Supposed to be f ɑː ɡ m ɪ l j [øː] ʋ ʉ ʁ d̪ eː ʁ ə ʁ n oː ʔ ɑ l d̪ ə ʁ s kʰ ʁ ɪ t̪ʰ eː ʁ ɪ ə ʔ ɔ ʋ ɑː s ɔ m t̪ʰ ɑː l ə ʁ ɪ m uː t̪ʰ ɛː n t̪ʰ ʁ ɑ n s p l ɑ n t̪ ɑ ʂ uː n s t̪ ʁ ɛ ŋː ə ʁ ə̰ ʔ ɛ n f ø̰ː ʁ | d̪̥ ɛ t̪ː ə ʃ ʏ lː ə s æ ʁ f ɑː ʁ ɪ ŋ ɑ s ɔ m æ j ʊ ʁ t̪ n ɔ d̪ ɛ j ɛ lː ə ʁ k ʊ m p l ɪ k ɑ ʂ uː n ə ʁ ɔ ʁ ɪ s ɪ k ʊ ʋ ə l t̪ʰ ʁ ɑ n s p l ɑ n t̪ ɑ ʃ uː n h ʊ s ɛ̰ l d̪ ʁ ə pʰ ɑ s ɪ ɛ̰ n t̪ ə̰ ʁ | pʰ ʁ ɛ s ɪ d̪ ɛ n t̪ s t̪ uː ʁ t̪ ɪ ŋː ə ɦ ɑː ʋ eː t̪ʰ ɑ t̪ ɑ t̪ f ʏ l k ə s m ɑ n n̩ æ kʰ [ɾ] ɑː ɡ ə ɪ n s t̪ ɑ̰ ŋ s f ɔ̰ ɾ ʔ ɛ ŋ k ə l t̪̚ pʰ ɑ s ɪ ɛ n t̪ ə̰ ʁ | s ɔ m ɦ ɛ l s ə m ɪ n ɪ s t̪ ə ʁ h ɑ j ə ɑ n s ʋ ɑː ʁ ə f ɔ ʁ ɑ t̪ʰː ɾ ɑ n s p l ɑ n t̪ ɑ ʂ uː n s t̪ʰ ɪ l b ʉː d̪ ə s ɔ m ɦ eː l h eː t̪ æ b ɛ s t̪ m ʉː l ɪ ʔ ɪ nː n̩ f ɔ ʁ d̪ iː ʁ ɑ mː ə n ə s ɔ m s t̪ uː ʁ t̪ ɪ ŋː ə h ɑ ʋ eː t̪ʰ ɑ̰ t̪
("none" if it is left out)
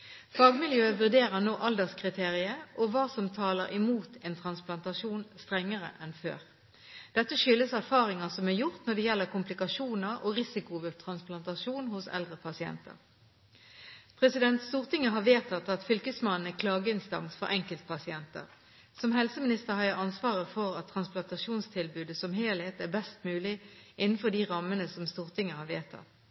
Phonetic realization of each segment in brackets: øː, l

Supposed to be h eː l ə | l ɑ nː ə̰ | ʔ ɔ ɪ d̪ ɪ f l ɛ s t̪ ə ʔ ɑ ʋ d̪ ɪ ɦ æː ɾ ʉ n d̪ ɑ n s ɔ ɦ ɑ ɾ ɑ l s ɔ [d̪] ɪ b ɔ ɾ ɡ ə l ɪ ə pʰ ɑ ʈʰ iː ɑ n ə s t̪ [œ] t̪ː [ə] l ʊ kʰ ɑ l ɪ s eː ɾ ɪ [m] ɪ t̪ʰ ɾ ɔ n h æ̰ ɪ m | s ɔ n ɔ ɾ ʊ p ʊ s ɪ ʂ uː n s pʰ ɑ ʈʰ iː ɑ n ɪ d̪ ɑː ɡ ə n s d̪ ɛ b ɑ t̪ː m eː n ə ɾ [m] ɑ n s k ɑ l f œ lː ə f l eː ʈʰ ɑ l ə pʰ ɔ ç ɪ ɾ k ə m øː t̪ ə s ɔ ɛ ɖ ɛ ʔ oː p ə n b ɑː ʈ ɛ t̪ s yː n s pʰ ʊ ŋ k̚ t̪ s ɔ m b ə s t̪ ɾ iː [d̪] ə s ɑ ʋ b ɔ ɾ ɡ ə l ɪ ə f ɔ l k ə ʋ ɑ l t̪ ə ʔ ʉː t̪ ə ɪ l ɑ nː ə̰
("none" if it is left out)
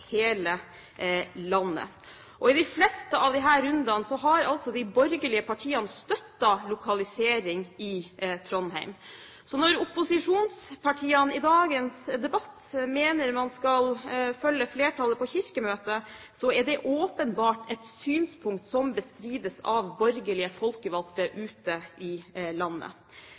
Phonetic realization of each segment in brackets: d̪, œ, ɑ, ŋ, m, d̪

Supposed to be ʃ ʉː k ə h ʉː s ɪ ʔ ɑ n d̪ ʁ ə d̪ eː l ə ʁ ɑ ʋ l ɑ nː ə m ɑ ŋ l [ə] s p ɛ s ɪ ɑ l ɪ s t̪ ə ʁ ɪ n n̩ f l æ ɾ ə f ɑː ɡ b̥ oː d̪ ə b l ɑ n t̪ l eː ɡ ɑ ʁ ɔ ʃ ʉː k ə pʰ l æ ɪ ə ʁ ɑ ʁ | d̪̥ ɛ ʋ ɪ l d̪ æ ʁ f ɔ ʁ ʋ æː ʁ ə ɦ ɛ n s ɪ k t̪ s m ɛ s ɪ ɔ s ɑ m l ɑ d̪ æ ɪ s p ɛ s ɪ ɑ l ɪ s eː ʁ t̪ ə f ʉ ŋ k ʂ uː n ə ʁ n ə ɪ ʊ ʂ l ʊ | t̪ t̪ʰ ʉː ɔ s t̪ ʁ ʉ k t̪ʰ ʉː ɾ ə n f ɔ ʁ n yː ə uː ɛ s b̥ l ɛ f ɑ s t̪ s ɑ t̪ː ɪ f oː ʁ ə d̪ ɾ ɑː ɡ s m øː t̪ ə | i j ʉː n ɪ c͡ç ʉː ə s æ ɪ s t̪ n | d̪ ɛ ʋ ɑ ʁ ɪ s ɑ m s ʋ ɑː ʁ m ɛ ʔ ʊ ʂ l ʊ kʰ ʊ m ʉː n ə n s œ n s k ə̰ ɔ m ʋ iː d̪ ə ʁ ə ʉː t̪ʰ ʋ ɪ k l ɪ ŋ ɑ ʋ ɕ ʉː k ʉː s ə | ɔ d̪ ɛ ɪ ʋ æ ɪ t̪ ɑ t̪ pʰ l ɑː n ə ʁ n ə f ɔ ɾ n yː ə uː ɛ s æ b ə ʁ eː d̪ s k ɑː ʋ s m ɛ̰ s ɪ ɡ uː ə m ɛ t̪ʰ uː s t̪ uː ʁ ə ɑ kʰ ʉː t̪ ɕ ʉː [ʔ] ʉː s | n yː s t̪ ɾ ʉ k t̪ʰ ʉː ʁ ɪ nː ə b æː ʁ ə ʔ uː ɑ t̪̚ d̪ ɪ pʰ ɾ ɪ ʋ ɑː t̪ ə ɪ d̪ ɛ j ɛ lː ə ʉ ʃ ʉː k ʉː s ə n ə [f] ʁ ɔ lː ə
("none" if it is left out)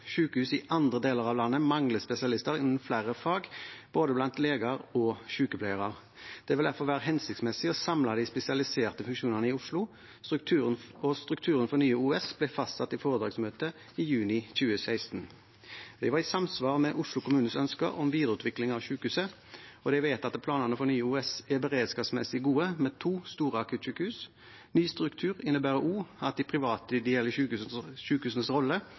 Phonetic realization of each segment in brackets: ə, k, s

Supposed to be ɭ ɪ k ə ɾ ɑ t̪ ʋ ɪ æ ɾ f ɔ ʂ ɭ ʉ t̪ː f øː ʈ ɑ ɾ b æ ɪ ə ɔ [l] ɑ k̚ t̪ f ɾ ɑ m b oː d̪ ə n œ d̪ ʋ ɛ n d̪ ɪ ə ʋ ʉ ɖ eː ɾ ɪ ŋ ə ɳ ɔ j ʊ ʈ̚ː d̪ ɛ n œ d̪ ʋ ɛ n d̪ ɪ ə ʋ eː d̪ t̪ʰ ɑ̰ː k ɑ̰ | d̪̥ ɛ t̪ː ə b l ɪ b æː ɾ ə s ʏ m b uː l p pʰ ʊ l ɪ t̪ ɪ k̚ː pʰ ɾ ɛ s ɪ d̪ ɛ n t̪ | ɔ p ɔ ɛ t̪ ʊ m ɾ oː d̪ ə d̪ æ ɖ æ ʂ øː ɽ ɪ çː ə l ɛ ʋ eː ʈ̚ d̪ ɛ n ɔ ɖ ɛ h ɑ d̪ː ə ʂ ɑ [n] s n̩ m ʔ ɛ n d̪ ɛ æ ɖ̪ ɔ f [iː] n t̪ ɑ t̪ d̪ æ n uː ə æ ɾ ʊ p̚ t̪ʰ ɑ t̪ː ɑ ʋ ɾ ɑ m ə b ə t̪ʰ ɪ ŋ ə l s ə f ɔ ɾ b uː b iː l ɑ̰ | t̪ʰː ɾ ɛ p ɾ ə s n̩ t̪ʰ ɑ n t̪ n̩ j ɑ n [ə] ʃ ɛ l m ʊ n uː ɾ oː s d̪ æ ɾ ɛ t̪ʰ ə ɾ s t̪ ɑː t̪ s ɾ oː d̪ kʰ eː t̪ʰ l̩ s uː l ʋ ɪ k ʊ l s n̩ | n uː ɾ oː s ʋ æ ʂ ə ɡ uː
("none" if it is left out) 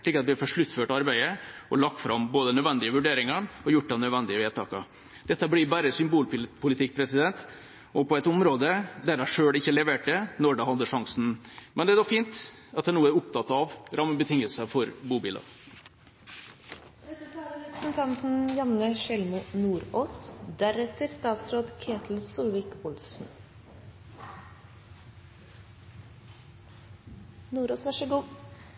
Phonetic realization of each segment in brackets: l, ŋ, iː, ə

